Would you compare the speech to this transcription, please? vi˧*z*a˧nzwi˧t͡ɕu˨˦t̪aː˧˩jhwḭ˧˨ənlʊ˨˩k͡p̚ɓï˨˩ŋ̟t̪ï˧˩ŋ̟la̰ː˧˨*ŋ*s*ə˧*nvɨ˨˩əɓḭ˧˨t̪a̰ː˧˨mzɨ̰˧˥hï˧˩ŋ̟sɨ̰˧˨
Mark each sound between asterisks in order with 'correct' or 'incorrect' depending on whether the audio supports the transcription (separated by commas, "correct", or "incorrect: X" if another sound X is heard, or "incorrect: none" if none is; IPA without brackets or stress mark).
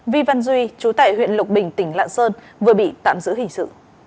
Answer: incorrect: v, incorrect: n, incorrect: əː˧